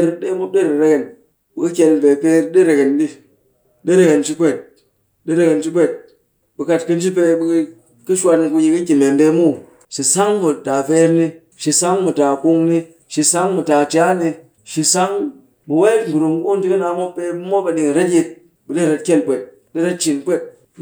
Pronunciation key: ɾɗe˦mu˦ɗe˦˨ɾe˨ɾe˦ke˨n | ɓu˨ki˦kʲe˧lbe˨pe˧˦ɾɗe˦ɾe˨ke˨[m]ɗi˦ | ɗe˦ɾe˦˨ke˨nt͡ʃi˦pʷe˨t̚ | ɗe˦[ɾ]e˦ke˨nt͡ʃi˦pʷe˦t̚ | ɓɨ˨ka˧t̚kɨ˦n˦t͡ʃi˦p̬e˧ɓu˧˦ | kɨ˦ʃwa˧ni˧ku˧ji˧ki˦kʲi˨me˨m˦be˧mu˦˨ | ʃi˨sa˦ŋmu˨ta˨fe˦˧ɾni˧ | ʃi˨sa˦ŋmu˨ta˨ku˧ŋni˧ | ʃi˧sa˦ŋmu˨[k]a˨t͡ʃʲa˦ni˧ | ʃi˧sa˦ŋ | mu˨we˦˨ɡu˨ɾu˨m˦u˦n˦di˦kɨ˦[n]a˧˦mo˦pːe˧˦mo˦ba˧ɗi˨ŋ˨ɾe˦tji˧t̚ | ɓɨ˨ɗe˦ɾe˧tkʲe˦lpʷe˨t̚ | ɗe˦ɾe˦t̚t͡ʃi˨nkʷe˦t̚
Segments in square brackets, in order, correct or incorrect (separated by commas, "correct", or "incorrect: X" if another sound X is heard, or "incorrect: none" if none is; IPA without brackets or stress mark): incorrect: n, correct, incorrect: t, correct